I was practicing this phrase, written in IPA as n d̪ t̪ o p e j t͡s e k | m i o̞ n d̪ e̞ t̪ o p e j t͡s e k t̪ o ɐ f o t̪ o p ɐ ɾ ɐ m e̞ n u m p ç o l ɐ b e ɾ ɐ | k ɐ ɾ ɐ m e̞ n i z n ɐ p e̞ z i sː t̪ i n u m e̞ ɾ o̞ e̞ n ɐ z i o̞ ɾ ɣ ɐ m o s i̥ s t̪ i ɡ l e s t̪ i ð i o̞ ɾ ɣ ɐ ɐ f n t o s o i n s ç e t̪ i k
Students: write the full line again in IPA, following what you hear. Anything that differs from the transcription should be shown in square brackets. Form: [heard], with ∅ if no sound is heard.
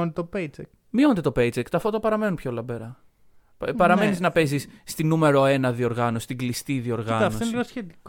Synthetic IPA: n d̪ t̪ o p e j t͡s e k | m i o̞ n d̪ e̞ t̪ o p e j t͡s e k t̪ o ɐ f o t̪ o p ɐ ɾ ɐ m e̞ n u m p ç o l ɐ b e ɾ ɐ | [p] ɐ ɾ ɐ m e̞ n i z n ɐ p e̞ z i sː t̪ i n u m e̞ ɾ o̞ e̞ n ɐ [ð] i o̞ ɾ ɣ ɐ [n] o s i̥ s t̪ i ɡ l [i] s t̪ i ð i o̞ ɾ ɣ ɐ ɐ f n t o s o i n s ç e t̪ i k